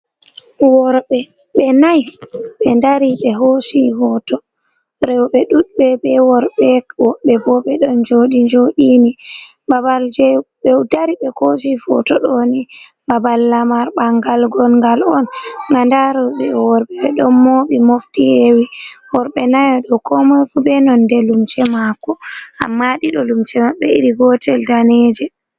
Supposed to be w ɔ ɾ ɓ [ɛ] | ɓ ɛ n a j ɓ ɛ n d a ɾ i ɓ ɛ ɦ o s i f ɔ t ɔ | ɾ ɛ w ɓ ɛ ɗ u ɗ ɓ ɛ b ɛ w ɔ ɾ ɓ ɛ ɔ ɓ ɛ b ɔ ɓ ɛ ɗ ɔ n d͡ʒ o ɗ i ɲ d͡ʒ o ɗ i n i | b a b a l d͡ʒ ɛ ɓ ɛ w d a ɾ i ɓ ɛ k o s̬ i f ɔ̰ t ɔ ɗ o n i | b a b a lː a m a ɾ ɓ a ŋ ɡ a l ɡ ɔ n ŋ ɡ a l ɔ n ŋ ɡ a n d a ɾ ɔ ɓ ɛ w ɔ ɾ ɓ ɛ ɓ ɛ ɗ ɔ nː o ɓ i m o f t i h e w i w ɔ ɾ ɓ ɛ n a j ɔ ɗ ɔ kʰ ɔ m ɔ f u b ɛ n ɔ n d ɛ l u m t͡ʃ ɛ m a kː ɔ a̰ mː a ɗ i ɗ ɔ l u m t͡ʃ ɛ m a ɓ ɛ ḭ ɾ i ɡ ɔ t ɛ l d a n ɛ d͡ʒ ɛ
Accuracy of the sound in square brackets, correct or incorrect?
correct